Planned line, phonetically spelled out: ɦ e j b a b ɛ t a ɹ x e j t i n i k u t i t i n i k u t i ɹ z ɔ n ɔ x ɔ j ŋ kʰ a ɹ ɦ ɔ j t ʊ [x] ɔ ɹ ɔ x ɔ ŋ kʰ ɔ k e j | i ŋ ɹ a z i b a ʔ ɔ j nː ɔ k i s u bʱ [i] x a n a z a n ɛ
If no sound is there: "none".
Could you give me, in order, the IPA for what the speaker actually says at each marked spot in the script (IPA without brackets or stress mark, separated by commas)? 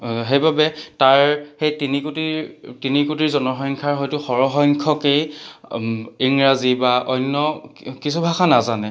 x, a